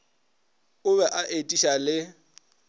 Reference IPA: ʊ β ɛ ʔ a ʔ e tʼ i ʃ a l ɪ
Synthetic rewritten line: ʊ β ɛ ʔ a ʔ e tʼ i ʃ a l ɪ